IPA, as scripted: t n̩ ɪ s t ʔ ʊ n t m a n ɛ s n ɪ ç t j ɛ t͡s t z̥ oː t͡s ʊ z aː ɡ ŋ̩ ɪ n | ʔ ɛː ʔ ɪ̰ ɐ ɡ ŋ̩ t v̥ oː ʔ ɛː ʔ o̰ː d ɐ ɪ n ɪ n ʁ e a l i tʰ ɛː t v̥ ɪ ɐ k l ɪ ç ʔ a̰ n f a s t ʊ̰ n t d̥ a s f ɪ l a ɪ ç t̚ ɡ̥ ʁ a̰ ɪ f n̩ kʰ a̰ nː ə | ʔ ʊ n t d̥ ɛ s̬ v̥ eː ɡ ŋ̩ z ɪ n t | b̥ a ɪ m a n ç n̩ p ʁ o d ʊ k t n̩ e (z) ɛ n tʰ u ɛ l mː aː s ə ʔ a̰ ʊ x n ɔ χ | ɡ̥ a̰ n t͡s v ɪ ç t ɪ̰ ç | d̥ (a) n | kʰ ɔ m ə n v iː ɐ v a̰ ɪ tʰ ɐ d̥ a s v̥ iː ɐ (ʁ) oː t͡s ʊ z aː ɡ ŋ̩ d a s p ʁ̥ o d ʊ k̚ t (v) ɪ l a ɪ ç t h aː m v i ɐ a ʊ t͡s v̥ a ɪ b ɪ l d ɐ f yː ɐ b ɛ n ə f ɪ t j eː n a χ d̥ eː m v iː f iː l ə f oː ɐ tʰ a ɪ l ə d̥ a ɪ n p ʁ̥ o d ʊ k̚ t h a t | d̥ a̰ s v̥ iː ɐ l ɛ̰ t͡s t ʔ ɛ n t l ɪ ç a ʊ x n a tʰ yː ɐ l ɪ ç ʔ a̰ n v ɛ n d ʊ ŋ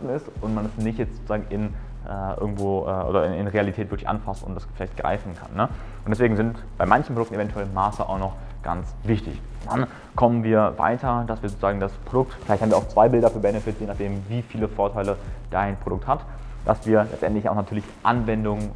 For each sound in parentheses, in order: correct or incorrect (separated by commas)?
incorrect, correct, incorrect, incorrect